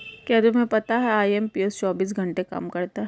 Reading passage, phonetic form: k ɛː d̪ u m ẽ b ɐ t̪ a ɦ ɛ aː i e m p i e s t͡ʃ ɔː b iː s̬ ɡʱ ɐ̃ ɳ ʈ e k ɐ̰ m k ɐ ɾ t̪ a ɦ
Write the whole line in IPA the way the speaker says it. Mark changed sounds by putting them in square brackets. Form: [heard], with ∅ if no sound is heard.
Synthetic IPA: k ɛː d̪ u m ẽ [p] ɐ t̪ a ɦ ɛ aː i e m p i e s t͡ʃ ɔː b iː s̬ ɡʱ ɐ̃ ɳ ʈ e k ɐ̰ m k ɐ ɾ t̪ a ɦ

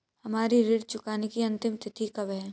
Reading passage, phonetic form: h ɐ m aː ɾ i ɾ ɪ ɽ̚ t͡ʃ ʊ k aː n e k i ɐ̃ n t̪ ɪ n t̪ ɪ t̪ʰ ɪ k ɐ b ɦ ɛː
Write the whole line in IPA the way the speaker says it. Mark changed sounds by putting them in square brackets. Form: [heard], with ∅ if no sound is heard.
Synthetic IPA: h ɐ m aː ɾ i ɾ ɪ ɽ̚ t͡ʃ ʊ k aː n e k i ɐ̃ n t̪ ɪ [m] t̪ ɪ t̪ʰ [i] k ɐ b ɦ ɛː

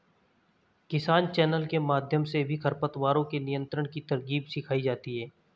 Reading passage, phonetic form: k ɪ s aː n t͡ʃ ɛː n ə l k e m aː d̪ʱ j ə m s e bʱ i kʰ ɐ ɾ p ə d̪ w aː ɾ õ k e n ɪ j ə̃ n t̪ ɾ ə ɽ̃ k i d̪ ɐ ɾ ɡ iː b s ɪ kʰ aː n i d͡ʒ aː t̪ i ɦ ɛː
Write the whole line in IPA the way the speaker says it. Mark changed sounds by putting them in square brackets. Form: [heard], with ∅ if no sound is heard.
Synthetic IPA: k ɪ s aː n t͡ʃ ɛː n ə l k e m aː d̪ʱ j ə m s e bʱ i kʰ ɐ ɾ p ə [t̪] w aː ɾ õ k e n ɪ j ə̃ n t̪ ɾ ə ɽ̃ k i [t̪] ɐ ɾ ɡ iː b s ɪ kʰ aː [∅] i d͡ʒ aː t̪ i ɦ ɛː

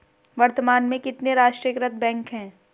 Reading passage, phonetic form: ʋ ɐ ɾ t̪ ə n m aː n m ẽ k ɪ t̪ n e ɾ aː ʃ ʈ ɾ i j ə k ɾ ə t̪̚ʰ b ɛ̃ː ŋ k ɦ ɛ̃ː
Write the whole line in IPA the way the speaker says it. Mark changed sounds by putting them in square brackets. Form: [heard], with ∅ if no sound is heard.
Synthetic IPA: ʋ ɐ ɾ t̪ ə [∅] m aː n m ẽ k ɪ t̪ n e ɾ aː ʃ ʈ ɾ i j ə k ɾ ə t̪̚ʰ b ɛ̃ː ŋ k ɦ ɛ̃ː

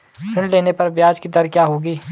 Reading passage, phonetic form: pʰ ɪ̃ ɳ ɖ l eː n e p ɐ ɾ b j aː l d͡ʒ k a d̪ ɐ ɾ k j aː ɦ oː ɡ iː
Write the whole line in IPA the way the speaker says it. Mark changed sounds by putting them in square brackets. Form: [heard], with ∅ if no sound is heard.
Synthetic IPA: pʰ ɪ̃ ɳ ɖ l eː n e p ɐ ɾ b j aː [∅] d͡ʒ k [i] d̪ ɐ ɾ k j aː ɦ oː ɡ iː

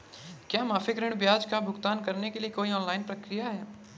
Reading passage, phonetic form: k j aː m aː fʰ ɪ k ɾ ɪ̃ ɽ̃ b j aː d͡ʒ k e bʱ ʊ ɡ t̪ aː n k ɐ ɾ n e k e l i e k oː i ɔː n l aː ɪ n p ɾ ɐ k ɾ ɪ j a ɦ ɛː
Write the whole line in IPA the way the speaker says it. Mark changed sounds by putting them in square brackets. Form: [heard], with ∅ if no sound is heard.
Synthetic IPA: k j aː m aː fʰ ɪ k ɾ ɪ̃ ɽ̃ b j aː d͡ʒ k [a] bʱ ʊ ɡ t̪ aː n k ɐ ɾ n e k e l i e k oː i ɔː n l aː ɪ n p ɾ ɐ k ɾ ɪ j a ɦ ɛː

